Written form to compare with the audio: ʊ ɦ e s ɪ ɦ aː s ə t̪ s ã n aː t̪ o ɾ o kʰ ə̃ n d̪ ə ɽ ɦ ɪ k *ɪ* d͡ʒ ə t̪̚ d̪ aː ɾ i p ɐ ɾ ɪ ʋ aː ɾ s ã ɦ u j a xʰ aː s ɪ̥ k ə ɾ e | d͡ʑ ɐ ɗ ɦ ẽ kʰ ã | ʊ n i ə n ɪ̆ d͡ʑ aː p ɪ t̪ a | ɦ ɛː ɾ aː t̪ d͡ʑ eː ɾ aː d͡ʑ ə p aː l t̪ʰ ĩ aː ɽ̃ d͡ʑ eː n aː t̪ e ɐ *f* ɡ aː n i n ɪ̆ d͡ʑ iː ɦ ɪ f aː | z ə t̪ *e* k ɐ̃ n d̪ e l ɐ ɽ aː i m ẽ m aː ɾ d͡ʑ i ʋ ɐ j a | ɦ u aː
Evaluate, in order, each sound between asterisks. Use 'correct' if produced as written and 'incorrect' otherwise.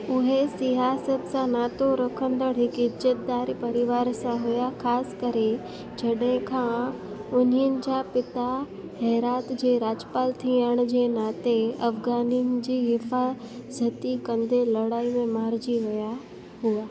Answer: correct, correct, incorrect

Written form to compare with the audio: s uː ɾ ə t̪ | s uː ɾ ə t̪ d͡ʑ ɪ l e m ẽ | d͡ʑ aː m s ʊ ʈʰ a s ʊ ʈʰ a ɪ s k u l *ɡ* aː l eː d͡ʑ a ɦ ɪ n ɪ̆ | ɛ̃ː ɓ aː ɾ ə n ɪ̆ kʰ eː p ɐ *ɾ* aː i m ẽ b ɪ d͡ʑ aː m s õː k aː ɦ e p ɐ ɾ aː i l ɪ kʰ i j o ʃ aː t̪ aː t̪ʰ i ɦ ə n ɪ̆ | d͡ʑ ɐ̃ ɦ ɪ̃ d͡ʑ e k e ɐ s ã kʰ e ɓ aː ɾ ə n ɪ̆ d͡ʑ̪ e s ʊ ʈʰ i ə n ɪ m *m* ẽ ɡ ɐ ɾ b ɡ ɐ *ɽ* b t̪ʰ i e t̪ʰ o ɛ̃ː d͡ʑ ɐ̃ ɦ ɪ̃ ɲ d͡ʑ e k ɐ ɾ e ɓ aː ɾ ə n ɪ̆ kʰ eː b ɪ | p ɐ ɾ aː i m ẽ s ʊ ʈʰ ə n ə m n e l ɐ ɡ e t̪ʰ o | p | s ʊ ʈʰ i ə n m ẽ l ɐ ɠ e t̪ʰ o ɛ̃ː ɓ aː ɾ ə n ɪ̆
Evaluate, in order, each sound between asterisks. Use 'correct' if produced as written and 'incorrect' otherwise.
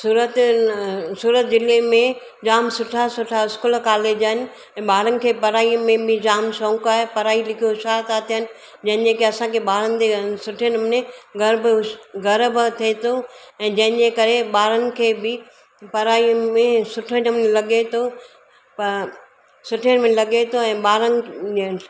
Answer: incorrect, correct, incorrect, incorrect

